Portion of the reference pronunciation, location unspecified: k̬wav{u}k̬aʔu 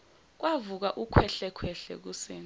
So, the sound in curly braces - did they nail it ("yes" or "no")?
yes